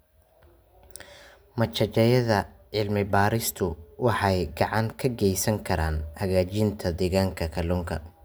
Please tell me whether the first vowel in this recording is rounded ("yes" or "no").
no